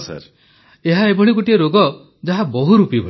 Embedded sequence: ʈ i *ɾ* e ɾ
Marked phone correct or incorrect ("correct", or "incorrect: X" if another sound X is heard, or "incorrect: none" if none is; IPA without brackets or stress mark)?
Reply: incorrect: none